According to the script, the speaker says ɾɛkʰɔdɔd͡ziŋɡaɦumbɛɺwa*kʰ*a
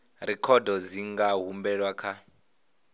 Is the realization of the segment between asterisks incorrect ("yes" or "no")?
no